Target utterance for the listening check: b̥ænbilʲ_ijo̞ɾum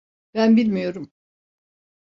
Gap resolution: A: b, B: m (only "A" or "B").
B